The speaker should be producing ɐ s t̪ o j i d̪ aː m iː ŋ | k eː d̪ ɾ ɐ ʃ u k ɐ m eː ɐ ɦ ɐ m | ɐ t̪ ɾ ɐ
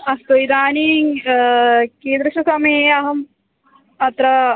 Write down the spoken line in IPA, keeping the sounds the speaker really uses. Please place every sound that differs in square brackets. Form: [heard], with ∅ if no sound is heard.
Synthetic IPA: ɐ s t̪ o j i d̪ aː [n] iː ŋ | k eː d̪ ɾ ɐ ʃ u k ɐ m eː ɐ ɦ ɐ m | ɐ t̪ ɾ ɐ

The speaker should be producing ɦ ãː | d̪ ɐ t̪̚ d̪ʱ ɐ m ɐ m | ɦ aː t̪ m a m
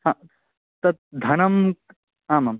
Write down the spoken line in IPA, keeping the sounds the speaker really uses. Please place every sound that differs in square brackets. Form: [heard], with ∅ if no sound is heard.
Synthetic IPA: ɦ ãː | [t̪] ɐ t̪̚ d̪ʱ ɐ [n] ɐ m | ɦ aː [∅] m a m

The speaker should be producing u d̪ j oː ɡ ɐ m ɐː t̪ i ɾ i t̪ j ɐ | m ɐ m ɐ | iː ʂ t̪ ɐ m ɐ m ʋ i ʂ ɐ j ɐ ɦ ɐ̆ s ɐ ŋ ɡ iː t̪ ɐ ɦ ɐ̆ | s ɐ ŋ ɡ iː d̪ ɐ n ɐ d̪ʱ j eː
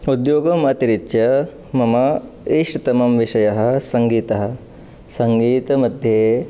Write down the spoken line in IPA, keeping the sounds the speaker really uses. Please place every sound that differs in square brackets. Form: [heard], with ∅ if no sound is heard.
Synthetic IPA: u d̪ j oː ɡ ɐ m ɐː t̪ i ɾ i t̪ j ɐ | m ɐ m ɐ | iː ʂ t̪ ɐ m ɐ m ʋ i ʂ ɐ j ɐ ɦ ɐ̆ s ɐ ŋ ɡ iː t̪ ɐ ɦ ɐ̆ | s ɐ ŋ ɡ iː [t̪] ɐ [m] ɐ d̪ʱ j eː

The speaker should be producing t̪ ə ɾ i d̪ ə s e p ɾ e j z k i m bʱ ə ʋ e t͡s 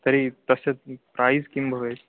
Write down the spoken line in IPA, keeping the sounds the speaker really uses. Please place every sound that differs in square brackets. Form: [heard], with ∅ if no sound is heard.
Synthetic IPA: t̪ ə ɾ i [t̪] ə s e p ɾ [a] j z k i m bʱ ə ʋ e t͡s

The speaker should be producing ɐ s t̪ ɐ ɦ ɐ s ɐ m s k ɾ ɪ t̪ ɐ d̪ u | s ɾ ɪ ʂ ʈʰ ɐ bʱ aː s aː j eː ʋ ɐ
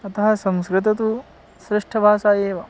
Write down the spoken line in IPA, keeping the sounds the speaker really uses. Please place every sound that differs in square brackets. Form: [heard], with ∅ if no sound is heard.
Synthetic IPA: ɐ [∅] t̪ ɐ ɦ ɐ s ɐ m s k ɾ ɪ t̪ ɐ [t̪] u | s ɾ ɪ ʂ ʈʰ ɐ bʱ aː s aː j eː ʋ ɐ

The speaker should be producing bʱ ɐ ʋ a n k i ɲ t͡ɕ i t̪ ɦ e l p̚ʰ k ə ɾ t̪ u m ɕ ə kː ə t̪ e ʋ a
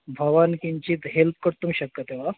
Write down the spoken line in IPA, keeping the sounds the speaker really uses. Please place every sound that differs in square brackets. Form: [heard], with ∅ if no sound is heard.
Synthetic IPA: bʱ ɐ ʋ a n k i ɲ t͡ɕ i t̪ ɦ e l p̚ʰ k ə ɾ t̪ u m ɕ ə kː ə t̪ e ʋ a

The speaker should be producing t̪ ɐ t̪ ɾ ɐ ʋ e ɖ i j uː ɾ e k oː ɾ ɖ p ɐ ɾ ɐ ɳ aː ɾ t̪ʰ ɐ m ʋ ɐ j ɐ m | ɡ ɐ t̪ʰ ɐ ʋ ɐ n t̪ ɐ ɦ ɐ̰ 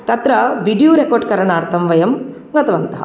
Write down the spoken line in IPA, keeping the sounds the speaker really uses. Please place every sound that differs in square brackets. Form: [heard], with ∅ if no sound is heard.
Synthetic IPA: t̪ ɐ t̪ ɾ ɐ ʋ [i] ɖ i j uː ɾ e k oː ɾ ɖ [k] ɐ ɾ ɐ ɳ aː ɾ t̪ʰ ɐ m ʋ ɐ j ɐ m | ɡ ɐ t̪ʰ ɐ ʋ ɐ n t̪ ɐ ɦ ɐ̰

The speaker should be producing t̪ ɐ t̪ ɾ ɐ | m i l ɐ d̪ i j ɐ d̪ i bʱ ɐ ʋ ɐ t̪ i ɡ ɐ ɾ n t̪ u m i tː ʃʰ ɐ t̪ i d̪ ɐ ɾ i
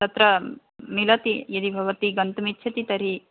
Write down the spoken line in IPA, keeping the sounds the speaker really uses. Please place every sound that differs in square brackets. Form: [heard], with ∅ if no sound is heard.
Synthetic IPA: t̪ ɐ t̪ ɾ ɐ | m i l ɐ [t̪] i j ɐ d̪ i bʱ ɐ ʋ ɐ t̪ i ɡ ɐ [∅] n t̪ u m i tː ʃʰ ɐ t̪ i [t̪] ɐ ɾ i

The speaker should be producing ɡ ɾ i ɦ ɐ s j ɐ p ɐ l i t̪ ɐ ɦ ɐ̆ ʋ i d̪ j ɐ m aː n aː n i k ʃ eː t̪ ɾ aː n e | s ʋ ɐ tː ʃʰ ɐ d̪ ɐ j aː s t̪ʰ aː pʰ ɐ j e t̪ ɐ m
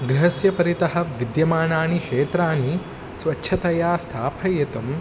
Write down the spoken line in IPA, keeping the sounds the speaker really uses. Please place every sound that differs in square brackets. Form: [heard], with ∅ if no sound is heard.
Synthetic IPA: ɡ ɾ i ɦ ɐ s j ɐ p ɐ [ɾ] i t̪ ɐ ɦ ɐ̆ ʋ i d̪ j ɐ m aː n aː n i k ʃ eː t̪ ɾ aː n [i] | s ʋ ɐ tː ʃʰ ɐ [t̪] ɐ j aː s t̪ʰ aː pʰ ɐ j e t̪ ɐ m

